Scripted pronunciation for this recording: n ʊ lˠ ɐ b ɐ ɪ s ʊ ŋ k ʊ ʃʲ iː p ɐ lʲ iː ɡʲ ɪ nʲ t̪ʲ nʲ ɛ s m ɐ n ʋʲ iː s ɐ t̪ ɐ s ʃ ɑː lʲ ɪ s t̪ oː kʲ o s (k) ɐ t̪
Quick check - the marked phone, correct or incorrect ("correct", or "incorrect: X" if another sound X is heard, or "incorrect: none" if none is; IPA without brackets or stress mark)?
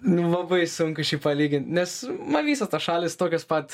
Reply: incorrect: p